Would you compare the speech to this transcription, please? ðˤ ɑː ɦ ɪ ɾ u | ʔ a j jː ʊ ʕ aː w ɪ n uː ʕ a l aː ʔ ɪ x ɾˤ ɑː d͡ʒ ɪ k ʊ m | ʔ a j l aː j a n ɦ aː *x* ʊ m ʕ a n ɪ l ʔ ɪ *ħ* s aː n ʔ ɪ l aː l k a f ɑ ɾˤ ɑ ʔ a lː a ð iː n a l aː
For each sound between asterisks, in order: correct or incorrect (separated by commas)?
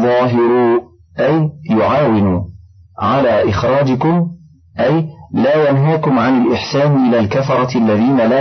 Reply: incorrect, correct